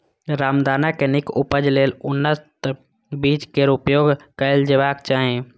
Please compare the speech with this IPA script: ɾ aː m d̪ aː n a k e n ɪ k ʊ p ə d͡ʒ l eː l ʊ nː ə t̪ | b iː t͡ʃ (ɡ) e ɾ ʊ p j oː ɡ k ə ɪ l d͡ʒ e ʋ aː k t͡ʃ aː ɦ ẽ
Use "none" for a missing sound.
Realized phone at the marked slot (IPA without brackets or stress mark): k